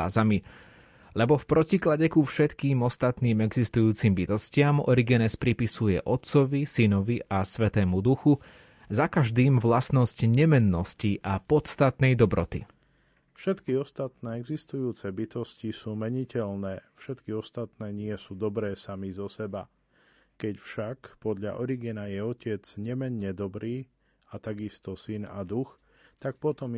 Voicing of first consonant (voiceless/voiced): voiced